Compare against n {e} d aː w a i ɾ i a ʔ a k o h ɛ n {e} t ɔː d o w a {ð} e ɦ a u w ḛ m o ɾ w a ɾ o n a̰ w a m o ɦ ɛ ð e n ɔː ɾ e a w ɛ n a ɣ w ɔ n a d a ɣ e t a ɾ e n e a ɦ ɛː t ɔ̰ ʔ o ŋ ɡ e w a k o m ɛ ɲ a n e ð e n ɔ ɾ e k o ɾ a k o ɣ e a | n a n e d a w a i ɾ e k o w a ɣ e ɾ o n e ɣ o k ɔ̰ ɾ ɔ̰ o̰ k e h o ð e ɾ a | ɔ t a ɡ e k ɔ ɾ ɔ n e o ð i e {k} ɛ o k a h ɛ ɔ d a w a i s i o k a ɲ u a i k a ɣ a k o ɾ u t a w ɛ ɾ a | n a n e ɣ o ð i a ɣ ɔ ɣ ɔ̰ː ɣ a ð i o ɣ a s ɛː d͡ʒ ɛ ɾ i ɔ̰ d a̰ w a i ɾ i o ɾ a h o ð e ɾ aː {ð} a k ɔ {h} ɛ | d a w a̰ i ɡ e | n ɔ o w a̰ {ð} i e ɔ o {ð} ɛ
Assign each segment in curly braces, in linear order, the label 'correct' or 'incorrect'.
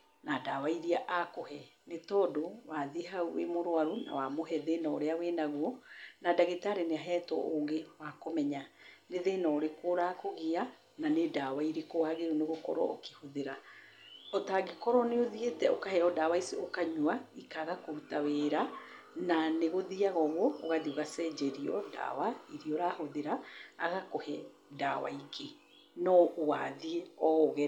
incorrect: a, correct, correct, incorrect: t, incorrect: ɣ, correct, correct, incorrect: ɣ

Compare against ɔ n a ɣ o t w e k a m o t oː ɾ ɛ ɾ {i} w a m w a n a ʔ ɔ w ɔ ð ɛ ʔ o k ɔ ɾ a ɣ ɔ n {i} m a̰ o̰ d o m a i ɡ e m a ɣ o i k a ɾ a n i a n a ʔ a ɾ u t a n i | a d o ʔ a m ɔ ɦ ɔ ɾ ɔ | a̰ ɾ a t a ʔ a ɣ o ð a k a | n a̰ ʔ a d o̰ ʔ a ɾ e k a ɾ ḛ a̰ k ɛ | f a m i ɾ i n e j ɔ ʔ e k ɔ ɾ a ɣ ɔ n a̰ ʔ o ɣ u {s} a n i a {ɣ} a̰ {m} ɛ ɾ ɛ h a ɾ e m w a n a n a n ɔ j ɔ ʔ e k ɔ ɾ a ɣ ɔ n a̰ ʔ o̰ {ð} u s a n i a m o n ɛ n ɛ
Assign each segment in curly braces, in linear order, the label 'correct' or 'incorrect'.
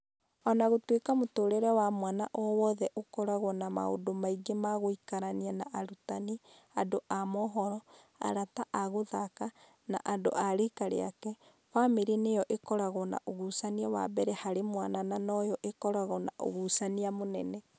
incorrect: ɛ, incorrect: a, correct, incorrect: w, incorrect: b, incorrect: ɣ

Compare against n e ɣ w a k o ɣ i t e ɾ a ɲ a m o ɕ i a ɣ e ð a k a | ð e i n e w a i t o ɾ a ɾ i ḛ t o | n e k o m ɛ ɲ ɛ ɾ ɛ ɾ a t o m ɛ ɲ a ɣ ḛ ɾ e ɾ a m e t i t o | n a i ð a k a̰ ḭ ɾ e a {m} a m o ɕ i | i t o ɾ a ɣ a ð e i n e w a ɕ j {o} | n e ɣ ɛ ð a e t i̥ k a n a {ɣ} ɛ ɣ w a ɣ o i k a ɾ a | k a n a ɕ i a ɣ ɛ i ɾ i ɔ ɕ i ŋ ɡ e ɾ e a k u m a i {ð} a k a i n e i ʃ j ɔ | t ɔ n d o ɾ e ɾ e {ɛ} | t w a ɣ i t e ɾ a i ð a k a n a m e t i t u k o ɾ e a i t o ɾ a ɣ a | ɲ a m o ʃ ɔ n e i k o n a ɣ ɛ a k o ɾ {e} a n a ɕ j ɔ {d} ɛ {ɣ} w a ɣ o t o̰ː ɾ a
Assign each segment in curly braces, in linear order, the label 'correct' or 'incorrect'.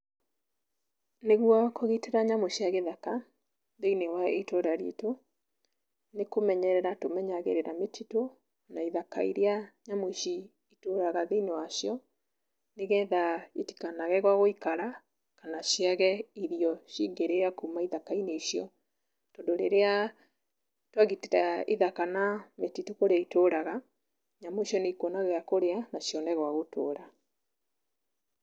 incorrect: ɲ, incorrect: ɔ, correct, correct, incorrect: a, correct, incorrect: n, correct

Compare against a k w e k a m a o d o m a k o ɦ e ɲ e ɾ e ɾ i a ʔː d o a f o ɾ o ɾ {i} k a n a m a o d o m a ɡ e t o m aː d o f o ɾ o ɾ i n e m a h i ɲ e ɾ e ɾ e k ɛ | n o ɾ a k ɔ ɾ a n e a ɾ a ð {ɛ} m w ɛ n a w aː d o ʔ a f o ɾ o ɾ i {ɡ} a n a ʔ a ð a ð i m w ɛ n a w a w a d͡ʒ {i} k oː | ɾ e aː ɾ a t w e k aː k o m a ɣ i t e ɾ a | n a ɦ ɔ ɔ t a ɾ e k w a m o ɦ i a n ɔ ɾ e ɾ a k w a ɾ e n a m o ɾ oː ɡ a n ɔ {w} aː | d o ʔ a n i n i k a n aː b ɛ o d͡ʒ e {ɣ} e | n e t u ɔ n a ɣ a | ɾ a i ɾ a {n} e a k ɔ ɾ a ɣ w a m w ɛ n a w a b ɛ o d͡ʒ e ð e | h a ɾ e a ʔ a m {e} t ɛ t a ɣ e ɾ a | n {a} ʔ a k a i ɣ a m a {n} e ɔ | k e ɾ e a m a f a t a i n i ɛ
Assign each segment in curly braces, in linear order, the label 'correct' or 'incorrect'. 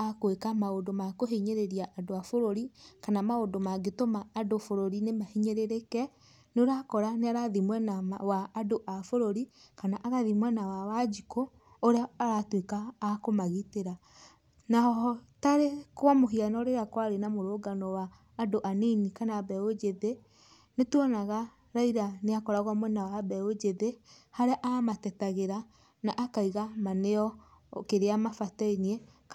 correct, incorrect: i, incorrect: k, correct, correct, incorrect: ð, correct, incorrect: a, correct, correct

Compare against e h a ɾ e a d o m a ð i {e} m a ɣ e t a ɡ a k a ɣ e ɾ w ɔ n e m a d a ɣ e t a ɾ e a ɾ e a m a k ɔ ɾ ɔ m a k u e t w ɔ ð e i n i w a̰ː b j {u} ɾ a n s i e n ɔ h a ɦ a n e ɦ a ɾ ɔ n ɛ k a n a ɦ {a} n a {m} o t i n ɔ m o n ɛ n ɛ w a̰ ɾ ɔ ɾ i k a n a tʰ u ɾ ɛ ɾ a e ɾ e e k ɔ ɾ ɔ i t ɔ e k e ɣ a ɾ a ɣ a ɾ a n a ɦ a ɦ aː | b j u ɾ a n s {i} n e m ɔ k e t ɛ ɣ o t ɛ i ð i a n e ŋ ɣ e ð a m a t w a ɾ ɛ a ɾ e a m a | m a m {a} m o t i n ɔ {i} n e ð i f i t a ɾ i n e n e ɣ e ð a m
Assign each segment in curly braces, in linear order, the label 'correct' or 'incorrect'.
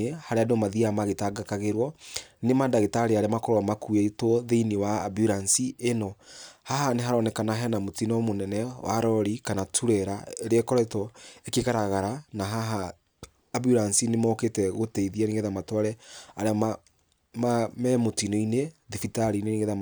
incorrect: a, correct, incorrect: ɛ, correct, correct, incorrect: ɛ, correct

